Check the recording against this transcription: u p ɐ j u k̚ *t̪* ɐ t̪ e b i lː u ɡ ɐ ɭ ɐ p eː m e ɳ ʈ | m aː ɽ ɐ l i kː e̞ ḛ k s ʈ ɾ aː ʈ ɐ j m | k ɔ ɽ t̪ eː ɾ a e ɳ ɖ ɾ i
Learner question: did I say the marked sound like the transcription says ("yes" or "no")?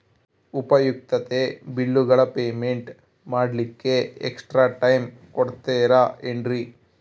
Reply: yes